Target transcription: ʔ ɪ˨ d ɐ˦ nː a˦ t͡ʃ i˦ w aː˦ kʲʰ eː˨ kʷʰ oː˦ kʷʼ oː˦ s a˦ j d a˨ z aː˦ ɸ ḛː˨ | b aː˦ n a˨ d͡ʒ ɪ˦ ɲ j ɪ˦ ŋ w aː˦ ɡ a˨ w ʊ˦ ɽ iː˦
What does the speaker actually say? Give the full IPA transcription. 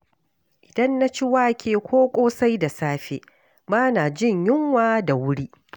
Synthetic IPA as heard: ʔ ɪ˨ d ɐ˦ nː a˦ t͡ʃ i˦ w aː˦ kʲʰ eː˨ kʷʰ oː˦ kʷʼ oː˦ s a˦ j d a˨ s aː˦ ɸ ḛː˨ | b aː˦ n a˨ d͡ʒ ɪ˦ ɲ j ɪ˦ ŋ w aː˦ d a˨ w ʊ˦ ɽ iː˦